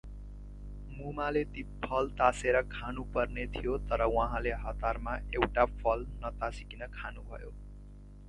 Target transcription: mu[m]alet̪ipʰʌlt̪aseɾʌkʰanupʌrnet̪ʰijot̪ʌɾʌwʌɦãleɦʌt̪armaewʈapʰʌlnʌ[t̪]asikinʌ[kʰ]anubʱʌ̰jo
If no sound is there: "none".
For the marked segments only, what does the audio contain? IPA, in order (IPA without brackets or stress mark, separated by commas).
m, t̪, kʰ